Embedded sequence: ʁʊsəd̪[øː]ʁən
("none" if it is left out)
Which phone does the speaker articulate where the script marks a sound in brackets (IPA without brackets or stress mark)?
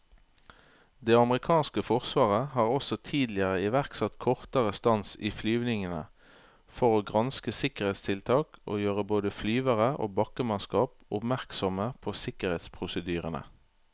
yː